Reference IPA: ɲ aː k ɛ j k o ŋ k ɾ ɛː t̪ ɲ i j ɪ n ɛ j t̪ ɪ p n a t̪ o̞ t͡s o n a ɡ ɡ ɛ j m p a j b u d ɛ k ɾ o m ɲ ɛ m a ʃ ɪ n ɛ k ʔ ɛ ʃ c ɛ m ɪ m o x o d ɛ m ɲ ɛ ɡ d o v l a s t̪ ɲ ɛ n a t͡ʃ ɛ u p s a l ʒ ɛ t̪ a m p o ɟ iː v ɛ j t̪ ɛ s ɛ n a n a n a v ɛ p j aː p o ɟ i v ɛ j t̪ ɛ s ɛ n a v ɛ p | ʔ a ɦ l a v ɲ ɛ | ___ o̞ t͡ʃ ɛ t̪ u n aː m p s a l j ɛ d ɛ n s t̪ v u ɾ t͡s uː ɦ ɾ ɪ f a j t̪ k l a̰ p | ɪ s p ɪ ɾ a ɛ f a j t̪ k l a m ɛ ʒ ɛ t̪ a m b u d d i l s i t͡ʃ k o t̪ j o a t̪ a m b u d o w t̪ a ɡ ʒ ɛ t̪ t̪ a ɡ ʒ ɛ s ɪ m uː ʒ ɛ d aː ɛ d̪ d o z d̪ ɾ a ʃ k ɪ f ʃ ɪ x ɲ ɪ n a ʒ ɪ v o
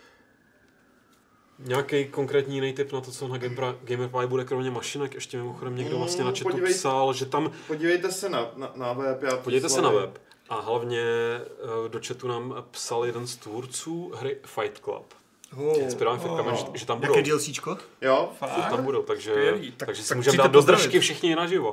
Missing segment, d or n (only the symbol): d